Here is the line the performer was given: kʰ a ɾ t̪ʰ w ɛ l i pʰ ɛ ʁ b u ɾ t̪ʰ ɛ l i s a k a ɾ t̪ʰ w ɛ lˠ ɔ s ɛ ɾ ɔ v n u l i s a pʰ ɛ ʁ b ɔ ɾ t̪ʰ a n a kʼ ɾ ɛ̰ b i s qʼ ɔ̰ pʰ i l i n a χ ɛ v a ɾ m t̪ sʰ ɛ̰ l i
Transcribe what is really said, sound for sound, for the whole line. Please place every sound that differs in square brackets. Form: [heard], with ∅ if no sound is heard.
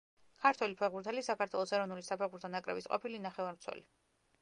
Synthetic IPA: kʰ a ɾ t̪ʰ w ɛ l i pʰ ɛ ʁ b u ɾ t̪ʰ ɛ l i s a k a ɾ t̪ʰ w ɛ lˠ ɔ s ɛ ɾ ɔ v n u l i s a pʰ ɛ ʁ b [u] ɾ t̪ʰ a n a kʼ ɾ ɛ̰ b i s qʼ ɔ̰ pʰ i l i n a χ ɛ v a ɾ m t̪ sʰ ɛ̰ l i